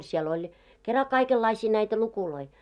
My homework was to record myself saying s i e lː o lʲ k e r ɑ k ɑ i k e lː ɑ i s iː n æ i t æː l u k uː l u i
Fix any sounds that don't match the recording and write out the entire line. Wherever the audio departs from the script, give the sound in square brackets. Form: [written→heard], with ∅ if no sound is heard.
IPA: s i e [lː→l] o lʲ k e r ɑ k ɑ i k e lː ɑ i s iː n æ i t [æː→æ] l u k [uː→u] l [u→o] i